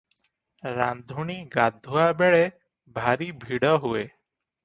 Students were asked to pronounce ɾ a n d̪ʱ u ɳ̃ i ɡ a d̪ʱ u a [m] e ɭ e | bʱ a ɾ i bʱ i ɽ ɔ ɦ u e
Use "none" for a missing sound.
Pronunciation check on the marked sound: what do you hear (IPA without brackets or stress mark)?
b